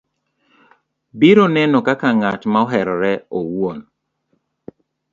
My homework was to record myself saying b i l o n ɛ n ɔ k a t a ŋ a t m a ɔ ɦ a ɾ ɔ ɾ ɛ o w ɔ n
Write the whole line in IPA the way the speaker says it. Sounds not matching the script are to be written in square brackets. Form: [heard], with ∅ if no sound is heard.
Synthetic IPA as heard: b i [ɾ] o n ɛ n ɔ k a [k] a ŋ a t m a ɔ ɦ [ɛ] ɾ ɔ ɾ ɛ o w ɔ n